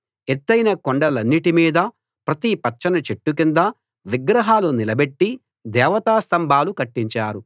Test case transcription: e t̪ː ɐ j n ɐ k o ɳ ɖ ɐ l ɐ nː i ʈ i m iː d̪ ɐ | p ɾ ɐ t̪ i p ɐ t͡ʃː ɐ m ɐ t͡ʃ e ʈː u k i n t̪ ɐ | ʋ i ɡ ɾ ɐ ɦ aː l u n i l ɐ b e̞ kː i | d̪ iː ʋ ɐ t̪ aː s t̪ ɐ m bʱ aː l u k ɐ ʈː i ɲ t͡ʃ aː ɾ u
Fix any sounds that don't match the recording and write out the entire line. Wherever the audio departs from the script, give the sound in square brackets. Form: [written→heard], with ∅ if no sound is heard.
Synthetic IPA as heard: e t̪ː ɐ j n ɐ k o ɳ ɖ ɐ l ɐ nː i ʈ i m iː d̪ ɐ | p ɾ ɐ t̪ i p ɐ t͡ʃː ɐ [m→n] ɐ t͡ʃ e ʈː u k i n [t̪→d̪] ɐ | ʋ i ɡ ɾ ɐ ɦ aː l u n i l ɐ b e̞ [kː→ʈː] i | d̪ [iː→ɛː] ʋ ɐ t̪ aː s t̪ ɐ m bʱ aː l u k ɐ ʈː i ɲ t͡ʃ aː ɾ u